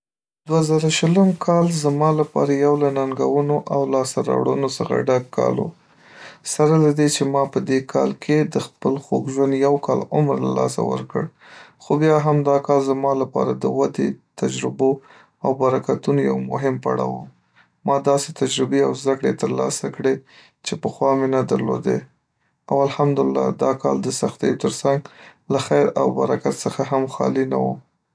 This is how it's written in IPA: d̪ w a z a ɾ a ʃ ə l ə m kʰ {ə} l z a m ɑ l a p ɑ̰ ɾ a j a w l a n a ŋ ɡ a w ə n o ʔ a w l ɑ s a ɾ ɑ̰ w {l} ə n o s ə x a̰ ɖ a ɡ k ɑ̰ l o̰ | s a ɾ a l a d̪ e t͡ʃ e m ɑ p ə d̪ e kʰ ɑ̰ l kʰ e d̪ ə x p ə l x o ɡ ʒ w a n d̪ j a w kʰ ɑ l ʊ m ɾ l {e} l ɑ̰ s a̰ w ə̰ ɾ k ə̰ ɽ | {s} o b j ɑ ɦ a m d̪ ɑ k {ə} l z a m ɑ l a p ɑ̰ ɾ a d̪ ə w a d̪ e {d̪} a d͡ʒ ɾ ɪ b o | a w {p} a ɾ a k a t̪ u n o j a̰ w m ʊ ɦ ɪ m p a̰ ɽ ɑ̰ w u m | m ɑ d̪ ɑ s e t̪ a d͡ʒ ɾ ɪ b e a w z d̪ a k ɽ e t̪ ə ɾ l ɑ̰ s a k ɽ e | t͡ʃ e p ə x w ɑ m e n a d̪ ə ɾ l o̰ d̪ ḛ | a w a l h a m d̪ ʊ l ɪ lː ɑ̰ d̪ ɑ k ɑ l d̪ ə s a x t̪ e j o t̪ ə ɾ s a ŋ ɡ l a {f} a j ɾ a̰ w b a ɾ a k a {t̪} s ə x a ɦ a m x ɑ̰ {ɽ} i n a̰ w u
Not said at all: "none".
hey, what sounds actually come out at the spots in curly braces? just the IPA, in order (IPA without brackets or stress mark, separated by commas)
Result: ɑ, ɽ, a, x, ɑ, t̪, b, x, t̪, l